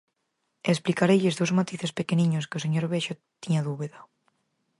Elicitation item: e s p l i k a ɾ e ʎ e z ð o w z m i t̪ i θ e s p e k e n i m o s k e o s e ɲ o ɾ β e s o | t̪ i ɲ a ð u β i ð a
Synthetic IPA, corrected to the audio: e s p l i k a ɾ e ʎ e z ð o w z m a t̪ i θ e s p e k e n i ɲ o s k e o s e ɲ o ɾ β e ʃ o | t̪ i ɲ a ð u β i ð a